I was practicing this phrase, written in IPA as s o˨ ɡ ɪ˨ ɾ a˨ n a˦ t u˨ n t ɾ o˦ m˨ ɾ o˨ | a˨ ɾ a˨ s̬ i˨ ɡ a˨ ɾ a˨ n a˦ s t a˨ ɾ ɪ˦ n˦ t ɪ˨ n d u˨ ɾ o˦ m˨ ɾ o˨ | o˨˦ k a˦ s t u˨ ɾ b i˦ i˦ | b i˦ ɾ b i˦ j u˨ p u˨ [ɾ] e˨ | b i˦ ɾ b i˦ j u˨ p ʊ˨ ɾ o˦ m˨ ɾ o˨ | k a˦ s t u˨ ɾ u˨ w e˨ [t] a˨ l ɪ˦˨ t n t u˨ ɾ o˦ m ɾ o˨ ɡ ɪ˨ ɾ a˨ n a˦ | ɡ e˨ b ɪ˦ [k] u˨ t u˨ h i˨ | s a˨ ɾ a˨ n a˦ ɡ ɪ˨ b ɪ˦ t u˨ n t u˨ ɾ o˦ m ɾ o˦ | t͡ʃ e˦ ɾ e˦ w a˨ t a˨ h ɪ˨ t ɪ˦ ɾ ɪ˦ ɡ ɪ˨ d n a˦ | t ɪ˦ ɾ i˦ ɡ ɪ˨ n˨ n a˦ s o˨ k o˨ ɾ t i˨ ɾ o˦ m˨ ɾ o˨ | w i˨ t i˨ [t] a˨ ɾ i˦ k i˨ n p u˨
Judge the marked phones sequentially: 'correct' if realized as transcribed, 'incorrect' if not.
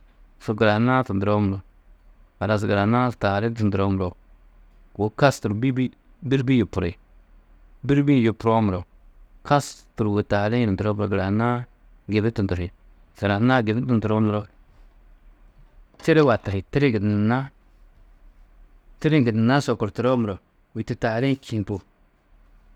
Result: correct, correct, incorrect, correct

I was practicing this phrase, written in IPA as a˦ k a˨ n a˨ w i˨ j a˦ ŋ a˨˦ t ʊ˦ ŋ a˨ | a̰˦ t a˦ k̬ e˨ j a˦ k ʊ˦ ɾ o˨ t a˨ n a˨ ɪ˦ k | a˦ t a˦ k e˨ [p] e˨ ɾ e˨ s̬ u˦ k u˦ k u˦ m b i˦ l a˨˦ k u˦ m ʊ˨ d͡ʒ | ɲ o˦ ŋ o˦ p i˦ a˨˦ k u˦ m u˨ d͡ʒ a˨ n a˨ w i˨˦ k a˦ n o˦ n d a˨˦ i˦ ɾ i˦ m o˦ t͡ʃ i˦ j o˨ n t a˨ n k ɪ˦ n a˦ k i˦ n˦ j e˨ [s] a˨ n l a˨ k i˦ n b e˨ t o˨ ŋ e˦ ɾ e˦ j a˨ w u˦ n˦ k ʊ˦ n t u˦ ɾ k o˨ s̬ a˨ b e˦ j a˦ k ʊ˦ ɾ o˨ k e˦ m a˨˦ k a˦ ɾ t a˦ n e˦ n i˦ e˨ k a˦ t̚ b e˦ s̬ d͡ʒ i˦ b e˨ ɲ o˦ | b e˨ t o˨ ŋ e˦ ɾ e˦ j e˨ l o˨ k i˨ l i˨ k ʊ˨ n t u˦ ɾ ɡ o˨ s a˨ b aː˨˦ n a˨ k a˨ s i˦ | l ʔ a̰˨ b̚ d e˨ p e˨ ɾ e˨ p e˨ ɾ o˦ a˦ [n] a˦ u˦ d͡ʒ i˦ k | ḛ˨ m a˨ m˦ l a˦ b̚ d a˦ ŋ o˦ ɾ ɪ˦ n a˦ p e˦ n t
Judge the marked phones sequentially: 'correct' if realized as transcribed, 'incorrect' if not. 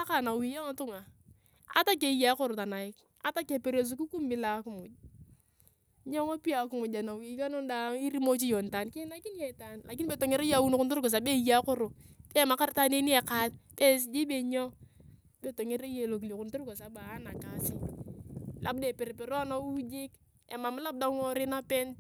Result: correct, incorrect, correct

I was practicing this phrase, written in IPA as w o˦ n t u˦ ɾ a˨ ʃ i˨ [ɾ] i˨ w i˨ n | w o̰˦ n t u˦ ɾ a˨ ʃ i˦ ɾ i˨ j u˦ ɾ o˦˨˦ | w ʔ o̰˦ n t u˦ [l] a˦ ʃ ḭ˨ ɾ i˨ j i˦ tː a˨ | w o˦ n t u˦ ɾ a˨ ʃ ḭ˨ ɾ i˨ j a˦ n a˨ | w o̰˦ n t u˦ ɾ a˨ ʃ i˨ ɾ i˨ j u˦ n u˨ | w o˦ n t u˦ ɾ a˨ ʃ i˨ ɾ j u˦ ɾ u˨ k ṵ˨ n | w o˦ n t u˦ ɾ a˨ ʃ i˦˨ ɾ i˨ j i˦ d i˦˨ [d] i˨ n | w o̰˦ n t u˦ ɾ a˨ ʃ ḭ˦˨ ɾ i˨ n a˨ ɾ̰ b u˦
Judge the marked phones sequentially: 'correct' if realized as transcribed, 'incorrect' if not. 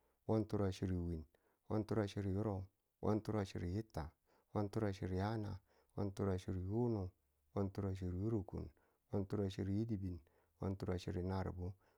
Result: correct, incorrect, incorrect

